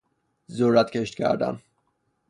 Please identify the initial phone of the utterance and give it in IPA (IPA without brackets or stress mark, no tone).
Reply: z